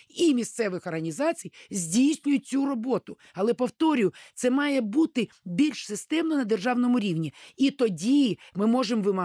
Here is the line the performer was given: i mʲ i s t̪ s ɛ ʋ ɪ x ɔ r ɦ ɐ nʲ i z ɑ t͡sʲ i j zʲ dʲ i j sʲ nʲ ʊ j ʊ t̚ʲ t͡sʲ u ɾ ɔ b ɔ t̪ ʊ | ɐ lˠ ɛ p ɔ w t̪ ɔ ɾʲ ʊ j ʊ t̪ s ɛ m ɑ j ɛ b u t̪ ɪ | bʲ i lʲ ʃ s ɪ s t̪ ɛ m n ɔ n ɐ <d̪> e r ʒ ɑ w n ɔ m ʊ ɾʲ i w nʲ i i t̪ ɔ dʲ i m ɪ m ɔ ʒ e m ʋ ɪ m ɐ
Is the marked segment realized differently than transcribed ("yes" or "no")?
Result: no